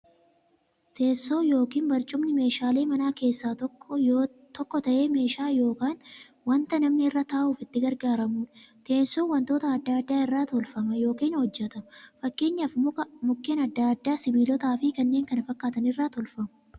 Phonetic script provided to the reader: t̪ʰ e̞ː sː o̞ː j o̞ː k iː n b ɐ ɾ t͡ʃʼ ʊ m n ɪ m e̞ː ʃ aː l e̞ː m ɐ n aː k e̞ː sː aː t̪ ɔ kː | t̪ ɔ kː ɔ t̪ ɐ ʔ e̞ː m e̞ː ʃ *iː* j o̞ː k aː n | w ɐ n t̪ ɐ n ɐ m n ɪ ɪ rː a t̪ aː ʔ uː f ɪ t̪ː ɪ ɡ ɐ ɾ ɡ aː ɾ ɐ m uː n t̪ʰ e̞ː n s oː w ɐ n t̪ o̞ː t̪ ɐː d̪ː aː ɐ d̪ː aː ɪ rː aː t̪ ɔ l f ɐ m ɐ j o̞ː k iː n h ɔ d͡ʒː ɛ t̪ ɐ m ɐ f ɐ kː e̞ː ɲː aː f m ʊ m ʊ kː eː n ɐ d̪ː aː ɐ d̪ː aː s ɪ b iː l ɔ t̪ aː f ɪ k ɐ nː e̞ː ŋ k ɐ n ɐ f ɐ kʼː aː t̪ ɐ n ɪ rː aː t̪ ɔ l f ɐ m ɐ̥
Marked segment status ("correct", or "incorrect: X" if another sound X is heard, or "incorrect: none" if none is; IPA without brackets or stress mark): incorrect: aː